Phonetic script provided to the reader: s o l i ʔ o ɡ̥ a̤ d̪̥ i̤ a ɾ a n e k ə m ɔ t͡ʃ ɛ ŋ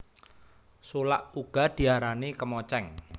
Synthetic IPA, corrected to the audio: s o l a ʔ u ɡ̥ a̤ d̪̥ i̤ a ɾ a n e k ə m ɔ t͡ʃ ɛ ŋ